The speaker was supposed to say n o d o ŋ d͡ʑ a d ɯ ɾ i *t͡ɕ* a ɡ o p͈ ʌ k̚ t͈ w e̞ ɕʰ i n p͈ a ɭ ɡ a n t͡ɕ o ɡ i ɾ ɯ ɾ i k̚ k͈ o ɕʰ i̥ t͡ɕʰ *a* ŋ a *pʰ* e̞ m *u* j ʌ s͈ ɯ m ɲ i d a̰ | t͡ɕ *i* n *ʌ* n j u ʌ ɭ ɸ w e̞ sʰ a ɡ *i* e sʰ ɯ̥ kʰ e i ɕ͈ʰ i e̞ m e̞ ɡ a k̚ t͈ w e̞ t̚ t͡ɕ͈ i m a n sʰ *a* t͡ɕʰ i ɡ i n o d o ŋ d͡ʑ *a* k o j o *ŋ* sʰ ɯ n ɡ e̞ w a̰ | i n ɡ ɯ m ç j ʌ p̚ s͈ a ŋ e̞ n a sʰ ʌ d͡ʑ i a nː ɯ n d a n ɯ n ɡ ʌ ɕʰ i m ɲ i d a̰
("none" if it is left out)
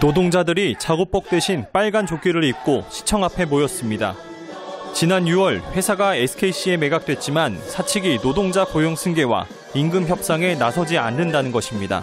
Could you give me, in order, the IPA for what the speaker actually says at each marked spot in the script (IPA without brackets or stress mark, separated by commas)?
t͡ɕ, ʌ, pʰ, o, i, a, a, a, a, ŋ